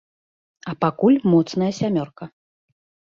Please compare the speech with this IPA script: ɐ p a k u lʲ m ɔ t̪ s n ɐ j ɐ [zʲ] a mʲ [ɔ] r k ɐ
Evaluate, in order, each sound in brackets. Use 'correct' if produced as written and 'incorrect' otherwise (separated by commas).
incorrect, correct